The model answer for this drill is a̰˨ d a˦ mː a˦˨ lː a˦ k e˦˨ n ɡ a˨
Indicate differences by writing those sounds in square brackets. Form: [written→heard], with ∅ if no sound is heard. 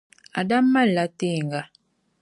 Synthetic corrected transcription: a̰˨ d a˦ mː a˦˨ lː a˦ [k→t] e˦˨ [n→ŋ] ɡ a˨